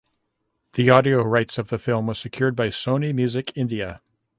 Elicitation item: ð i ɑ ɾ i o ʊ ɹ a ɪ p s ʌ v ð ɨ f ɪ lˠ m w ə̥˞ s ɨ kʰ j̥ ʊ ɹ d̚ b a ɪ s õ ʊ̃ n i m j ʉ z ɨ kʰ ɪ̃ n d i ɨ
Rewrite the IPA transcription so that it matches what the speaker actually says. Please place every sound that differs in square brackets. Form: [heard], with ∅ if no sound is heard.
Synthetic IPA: ð i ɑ ɾ i o ʊ ɹ a ɪ [t] s ʌ v ð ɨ f ɪ lˠ m w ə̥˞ s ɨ kʰ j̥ ʊ ɹ d̚ b a ɪ s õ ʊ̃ n i m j ʉ z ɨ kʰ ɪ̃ n d i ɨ